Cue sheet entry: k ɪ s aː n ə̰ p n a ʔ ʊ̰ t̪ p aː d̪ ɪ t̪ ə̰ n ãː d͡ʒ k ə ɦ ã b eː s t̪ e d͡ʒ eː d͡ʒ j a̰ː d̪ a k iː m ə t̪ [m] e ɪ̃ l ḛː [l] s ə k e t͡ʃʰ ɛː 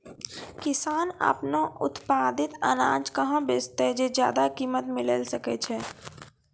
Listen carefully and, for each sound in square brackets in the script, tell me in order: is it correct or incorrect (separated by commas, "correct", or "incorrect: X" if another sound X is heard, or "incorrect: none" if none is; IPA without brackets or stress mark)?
correct, correct